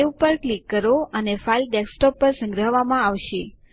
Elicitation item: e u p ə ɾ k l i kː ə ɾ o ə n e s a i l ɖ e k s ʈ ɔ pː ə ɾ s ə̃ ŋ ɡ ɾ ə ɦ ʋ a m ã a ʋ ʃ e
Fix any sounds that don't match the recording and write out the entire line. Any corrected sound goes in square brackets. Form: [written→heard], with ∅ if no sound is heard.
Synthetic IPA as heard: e u p ə ɾ k l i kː ə ɾ o ə n e [s→f] a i l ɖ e k s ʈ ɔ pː ə ɾ s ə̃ ŋ ɡ ɾ ə ɦ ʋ a m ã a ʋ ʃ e

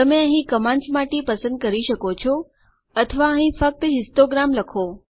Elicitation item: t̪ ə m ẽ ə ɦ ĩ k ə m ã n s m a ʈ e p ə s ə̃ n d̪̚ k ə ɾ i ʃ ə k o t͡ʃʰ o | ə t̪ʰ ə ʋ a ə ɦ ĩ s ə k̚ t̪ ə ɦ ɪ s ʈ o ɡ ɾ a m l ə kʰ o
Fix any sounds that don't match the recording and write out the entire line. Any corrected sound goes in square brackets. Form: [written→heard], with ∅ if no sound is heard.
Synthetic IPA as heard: t̪ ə m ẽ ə ɦ ĩ k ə m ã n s m a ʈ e p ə s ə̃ n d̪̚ k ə ɾ i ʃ ə k o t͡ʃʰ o | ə t̪ʰ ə ʋ a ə ɦ ĩ [s→f] ə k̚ t̪ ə ɦ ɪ s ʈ o ɡ ɾ a m l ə kʰ o

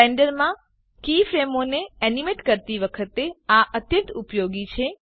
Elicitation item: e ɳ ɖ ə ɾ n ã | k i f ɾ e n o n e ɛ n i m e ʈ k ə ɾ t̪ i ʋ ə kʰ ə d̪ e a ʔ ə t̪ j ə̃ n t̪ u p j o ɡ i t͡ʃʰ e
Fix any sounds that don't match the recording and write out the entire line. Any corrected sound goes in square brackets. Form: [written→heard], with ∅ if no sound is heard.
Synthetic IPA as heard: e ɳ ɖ ə ɾ [n→m] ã | k i f ɾ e [n→m] o n e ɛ n i m e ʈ k ə ɾ t̪ i ʋ ə kʰ ə [d̪→t̪] e a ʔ ə t̪ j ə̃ n t̪ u p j o ɡ i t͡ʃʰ e

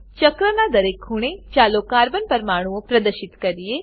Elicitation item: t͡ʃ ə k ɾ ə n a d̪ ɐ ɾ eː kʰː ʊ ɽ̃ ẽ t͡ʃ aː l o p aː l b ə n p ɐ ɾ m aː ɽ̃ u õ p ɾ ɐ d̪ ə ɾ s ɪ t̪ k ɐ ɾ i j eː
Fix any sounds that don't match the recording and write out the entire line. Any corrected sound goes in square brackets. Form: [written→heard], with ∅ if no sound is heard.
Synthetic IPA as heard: t͡ʃ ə k ɾ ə n a d̪ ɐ ɾ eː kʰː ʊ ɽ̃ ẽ t͡ʃ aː l o [p→k] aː [l→ɾ] b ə n p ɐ ɾ m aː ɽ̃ u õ p ɾ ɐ d̪ ə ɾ [s→ʃ] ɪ t̪ k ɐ ɾ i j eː

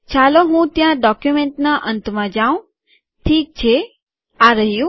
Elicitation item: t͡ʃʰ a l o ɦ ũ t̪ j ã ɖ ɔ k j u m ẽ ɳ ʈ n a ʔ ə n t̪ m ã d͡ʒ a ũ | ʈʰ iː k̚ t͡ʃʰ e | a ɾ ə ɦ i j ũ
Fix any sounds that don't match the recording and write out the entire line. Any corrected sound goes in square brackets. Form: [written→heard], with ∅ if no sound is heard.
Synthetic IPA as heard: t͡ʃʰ a l o ɦ ũ t̪ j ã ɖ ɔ k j u m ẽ ɳ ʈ n a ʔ ə n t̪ m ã d͡ʒ a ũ | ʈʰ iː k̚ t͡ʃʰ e | a ɾ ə ɦ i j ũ

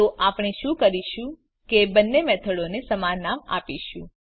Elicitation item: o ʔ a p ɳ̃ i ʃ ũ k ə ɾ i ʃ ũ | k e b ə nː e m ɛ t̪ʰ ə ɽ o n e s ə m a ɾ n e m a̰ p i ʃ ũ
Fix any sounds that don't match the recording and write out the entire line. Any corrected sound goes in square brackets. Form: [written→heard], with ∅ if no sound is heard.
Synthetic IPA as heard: o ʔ a p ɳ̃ i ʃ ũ k ə ɾ i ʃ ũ | k e b ə nː e m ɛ t̪ʰ ə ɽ o n e s ə m a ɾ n [e→a] m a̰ p i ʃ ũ

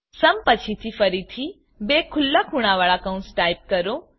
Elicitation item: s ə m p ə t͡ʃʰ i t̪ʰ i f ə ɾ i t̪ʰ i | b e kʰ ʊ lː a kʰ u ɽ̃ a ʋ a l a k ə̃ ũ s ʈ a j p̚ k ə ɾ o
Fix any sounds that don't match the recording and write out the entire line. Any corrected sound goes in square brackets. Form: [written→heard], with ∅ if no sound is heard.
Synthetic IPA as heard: s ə m p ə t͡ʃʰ i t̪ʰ i f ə ɾ i t̪ʰ i | b e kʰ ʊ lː a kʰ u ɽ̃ a ʋ a [l→ɭ] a k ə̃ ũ s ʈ a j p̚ k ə ɾ o

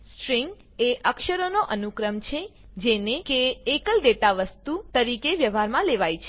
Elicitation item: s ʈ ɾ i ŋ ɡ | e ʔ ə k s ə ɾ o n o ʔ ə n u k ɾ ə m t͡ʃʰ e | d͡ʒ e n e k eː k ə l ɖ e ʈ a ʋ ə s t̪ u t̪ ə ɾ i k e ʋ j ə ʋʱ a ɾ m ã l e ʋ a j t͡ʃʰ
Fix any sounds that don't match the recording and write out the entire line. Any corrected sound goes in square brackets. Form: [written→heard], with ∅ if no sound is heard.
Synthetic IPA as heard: s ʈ ɾ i ŋ ɡ | e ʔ ə k [s→ʃ] ə ɾ o n o ʔ ə n u k ɾ ə m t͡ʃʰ e | d͡ʒ e n e k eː k ə l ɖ e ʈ a ʋ ə s t̪ u t̪ ə ɾ i k e ʋ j ə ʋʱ a ɾ m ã l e ʋ a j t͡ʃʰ

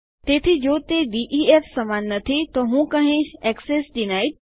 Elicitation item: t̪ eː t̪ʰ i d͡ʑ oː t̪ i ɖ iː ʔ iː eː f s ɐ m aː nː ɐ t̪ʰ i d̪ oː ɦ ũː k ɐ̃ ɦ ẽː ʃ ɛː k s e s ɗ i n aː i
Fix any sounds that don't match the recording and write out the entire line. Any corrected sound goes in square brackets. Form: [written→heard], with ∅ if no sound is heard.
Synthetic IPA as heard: t̪ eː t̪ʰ i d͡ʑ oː t̪ [i→e] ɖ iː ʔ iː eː f s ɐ m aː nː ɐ t̪ʰ i [d̪→t̪] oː ɦ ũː k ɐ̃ ɦ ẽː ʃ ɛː k s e s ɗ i n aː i

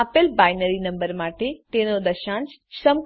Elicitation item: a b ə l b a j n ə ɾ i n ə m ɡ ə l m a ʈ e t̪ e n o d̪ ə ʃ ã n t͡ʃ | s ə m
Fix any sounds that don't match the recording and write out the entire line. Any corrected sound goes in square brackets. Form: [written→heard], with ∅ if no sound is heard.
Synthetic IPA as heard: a [b→p] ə l b a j n ə ɾ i n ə m [ɡ→b] ə [l→ɾ] m a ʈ e t̪ e n o d̪ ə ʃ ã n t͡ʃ | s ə m

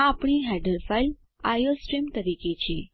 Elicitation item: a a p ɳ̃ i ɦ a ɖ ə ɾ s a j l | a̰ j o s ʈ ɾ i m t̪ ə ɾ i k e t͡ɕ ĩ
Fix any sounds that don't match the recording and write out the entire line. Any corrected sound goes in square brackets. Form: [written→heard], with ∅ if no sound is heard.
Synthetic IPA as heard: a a p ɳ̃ i ɦ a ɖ ə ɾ [s→f] a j l | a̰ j o s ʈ ɾ i m t̪ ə ɾ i k e t͡ɕ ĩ

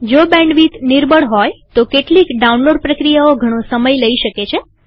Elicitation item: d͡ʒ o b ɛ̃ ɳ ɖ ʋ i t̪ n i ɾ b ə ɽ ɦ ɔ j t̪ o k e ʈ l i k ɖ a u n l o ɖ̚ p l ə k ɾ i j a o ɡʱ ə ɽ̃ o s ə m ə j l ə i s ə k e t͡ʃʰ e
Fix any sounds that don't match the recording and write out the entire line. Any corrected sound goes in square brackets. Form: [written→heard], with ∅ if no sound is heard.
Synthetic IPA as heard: d͡ʒ o b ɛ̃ ɳ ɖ ʋ i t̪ n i ɾ b ə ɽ ɦ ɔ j t̪ o k e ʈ l i k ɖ a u n l o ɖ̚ p [l→ɾ] ə k ɾ i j a o ɡʱ ə ɽ̃ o s ə m ə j l ə i [s→ʃ] ə k e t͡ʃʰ e

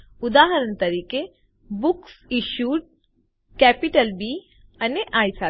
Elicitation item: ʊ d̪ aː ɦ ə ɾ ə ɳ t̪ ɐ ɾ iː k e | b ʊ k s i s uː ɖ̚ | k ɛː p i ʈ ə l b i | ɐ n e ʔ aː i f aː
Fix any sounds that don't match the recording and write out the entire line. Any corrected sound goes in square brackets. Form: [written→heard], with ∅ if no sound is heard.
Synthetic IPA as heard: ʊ d̪ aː ɦ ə ɾ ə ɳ t̪ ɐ ɾ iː k e | b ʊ k s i [s→ʃ] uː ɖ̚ | k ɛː p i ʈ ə l b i | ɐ n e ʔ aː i [f→s] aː

